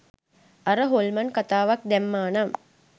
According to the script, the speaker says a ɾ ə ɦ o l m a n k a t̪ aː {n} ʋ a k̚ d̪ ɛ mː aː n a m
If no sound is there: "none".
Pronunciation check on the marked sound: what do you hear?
none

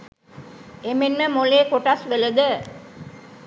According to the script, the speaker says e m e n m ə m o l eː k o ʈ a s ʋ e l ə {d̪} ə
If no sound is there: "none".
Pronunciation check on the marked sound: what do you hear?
d̪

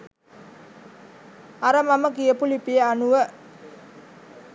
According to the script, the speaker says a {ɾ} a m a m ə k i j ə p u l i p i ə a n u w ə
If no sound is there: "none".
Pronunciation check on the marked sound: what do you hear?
ɾ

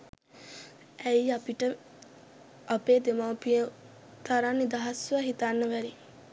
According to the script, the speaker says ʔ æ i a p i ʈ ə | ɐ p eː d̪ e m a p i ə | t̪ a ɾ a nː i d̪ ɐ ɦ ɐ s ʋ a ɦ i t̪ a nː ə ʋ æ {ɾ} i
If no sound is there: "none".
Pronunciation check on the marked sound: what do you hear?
ɾ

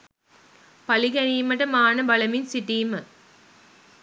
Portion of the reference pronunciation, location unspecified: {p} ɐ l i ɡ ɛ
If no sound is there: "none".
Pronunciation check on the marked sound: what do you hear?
p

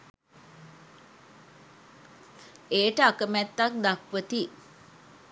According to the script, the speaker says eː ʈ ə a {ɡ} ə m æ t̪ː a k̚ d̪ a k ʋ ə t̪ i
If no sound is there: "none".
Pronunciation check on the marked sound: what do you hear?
k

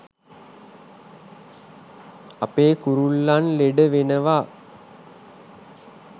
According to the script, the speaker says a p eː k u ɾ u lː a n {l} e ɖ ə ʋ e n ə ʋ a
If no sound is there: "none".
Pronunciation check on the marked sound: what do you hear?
l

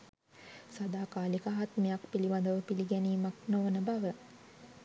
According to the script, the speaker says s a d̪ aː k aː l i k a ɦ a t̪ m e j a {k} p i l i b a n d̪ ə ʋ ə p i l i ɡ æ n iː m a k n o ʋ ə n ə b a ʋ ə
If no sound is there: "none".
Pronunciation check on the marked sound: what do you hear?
k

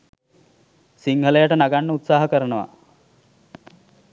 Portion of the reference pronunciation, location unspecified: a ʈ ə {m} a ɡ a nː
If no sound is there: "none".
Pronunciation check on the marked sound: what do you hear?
n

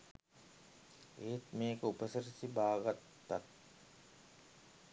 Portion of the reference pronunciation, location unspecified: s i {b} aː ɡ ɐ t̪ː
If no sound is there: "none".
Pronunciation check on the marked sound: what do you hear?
b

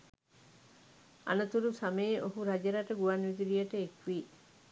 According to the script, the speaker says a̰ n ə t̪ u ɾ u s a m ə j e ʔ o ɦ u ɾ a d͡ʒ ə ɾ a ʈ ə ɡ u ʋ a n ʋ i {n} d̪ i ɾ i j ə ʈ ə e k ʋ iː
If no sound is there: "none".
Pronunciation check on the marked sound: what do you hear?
none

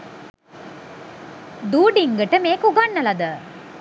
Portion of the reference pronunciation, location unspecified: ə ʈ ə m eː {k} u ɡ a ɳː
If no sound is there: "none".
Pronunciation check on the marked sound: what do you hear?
k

